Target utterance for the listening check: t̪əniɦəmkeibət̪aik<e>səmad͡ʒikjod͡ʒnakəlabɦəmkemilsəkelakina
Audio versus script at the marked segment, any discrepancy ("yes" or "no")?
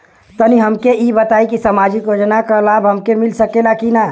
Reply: yes